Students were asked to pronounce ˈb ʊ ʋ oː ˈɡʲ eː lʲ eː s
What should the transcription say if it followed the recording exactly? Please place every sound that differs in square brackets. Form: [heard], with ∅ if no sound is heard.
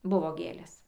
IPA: ˈb ʊ ʋ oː ˈɡʲ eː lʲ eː s

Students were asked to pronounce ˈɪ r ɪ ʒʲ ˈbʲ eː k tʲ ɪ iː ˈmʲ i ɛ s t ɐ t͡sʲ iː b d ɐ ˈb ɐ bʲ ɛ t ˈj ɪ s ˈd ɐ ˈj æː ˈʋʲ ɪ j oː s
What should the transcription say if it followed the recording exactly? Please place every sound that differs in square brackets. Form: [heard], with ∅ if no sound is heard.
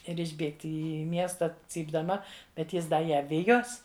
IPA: ˈɪ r ɪ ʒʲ ˈbʲ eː k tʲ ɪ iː ˈmʲ i ɛ s t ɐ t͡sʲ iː b d ɐ [ˈm] ɐ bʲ ɛ t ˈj ɪ s ˈd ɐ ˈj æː ˈʋʲ ɪ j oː s

